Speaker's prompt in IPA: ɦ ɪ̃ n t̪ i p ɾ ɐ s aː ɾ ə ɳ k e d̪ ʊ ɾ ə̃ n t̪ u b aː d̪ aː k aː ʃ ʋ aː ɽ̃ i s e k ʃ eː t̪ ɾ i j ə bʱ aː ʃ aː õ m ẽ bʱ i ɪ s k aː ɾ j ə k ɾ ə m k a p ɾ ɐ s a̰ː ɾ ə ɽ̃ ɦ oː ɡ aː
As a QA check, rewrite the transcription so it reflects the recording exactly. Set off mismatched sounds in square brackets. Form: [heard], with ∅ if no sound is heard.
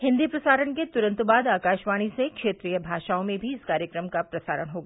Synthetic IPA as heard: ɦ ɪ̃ n [d̪] i p ɾ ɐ s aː ɾ ə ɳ k e [t̪] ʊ ɾ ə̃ n t̪ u b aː d̪ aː k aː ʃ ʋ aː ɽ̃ i s e k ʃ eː t̪ ɾ i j ə bʱ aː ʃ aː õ m ẽ bʱ i ɪ s k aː ɾ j ə k ɾ ə m k a p ɾ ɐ s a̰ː ɾ ə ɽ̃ ɦ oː ɡ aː